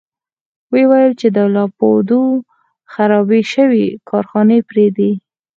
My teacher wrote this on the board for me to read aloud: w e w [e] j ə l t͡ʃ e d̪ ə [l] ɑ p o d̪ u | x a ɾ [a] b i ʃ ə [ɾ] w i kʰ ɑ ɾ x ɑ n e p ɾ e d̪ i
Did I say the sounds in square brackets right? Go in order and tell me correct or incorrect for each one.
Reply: incorrect, correct, incorrect, incorrect

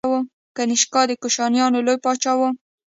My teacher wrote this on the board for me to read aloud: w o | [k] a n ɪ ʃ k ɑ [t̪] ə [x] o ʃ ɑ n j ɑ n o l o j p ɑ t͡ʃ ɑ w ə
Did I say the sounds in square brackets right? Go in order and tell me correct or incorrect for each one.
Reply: correct, incorrect, incorrect

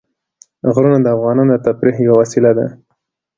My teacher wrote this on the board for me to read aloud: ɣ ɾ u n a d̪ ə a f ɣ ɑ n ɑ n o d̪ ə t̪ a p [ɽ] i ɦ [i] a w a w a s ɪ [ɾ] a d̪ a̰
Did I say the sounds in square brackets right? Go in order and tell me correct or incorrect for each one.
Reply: incorrect, incorrect, incorrect

